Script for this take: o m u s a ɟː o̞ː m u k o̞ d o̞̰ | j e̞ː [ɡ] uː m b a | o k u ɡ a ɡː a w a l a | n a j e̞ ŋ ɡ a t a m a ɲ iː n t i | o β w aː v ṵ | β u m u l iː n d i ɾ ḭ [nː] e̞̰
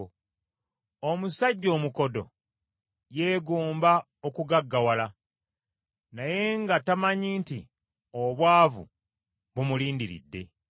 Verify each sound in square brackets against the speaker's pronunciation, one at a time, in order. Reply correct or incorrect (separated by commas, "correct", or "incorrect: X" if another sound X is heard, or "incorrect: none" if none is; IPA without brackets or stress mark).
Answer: correct, incorrect: dː